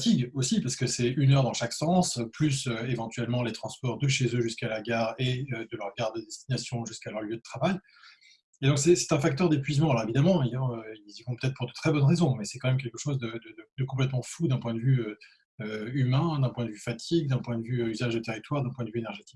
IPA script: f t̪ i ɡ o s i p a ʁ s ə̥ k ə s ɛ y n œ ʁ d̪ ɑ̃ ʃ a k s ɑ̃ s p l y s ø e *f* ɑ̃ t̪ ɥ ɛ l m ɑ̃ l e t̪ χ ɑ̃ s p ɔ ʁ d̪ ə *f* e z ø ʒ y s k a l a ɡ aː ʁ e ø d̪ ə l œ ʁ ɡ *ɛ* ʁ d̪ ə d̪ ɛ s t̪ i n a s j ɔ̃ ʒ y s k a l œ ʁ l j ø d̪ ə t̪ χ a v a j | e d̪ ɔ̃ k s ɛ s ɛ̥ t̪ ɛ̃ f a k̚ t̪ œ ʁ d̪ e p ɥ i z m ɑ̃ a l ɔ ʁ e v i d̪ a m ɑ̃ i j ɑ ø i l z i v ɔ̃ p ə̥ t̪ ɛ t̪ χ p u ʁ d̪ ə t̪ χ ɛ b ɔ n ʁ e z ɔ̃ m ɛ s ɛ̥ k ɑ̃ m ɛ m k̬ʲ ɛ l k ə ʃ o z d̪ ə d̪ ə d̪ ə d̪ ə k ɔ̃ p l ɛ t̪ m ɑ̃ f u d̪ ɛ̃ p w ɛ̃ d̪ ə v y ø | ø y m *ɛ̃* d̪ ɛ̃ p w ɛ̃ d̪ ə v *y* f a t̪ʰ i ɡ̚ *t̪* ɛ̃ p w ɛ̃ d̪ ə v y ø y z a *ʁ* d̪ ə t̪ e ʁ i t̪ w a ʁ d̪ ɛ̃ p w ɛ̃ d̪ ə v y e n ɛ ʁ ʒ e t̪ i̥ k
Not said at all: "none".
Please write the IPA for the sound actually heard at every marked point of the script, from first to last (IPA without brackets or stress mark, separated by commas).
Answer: v, ʃ, a, ɛ̃, y, d̪, ʒ